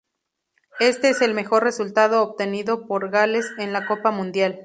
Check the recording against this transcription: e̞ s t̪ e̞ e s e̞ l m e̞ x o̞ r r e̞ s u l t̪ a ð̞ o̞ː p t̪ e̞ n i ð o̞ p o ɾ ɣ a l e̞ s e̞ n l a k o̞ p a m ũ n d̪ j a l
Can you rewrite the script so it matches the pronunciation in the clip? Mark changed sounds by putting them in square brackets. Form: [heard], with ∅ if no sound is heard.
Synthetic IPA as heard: e̞ s t̪ e̞ e s e̞ l m e̞ x o̞ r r e̞ s u l t̪ a ð̞ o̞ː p t̪ e̞ n i ð o̞ p o ɾ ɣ a l e̞ s e̞ n l a k o̞ p a m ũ n d̪ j a l